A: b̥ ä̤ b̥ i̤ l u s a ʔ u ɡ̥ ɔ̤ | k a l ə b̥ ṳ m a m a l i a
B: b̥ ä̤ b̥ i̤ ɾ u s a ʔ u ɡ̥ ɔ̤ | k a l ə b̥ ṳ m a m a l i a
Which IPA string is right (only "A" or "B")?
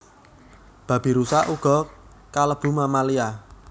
B